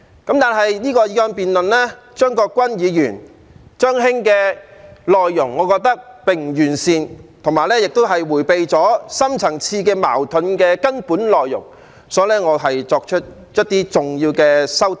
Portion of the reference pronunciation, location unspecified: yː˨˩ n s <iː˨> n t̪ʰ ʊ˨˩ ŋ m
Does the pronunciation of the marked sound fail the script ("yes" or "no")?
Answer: no